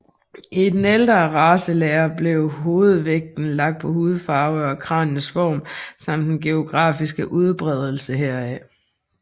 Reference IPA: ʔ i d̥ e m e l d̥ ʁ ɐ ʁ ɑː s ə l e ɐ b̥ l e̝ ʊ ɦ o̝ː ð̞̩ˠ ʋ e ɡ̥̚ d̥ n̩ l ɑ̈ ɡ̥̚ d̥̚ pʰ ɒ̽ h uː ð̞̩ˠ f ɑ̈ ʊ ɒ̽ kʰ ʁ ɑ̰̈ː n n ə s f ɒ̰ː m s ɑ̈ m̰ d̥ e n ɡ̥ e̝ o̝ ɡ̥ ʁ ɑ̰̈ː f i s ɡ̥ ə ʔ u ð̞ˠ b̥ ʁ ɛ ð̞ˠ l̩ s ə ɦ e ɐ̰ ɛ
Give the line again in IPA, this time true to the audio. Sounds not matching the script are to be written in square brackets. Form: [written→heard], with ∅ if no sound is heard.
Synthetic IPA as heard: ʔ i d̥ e [m→n] e l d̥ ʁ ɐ ʁ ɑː s ə l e ɐ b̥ l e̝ ʊ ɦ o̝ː ð̞̩ˠ ʋ e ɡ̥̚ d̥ n̩ l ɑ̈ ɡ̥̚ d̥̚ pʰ ɒ̽ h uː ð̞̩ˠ f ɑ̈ ʊ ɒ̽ kʰ ʁ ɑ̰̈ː n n ə s f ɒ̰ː m s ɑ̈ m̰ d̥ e n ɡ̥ e̝ o̝ ɡ̥ ʁ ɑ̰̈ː f i s ɡ̥ ə ʔ u ð̞ˠ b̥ ʁ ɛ ð̞ˠ l̩ s ə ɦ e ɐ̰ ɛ